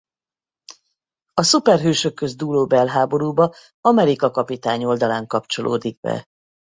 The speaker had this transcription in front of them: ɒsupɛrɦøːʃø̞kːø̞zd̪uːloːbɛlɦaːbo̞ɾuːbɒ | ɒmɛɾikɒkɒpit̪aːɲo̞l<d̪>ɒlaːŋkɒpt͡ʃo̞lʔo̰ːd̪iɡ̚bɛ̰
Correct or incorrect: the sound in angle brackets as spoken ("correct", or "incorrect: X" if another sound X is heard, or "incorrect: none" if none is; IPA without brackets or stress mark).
correct